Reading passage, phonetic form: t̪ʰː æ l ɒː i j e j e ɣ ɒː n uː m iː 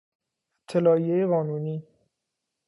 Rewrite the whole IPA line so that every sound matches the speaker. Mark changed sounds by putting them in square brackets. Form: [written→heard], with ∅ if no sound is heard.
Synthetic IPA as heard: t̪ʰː [æ→e] l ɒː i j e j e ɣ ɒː n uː [m→n] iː